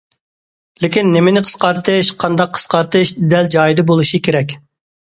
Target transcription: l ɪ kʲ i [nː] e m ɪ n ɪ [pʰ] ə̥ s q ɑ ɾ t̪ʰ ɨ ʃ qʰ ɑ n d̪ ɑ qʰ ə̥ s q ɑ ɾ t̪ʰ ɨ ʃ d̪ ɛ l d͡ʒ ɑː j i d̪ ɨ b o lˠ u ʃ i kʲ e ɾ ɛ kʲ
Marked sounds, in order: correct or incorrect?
correct, incorrect

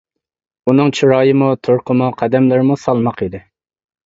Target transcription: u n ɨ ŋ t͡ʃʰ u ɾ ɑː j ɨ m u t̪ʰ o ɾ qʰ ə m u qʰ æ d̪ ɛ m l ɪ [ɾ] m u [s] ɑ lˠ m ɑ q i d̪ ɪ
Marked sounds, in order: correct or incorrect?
correct, correct

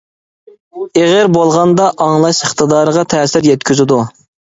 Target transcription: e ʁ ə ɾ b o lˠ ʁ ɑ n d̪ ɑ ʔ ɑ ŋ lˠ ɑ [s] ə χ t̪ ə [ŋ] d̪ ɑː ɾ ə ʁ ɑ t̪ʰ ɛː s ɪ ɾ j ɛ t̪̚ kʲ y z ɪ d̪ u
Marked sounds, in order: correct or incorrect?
incorrect, incorrect

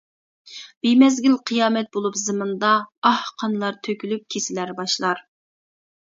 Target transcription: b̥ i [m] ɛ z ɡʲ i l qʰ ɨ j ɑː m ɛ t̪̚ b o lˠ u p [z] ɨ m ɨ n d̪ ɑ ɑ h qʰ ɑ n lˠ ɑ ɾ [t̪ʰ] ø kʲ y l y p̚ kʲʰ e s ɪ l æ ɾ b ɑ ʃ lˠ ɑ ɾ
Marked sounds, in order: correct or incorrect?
correct, correct, correct

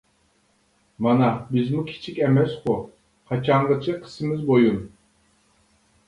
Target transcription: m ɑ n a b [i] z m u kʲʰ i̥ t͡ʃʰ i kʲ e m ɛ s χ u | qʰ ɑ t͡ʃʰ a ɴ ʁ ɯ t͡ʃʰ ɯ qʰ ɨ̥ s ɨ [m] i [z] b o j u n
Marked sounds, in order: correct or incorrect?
correct, correct, correct

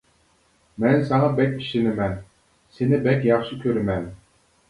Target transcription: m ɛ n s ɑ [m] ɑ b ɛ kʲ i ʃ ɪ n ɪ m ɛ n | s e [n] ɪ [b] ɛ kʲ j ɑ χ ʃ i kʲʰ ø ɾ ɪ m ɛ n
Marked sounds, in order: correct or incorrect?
incorrect, correct, correct

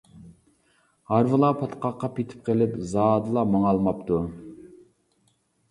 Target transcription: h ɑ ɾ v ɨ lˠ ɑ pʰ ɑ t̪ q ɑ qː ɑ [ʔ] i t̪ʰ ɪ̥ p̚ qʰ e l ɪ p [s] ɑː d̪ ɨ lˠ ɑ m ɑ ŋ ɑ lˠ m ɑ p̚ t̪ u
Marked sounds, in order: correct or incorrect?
incorrect, incorrect

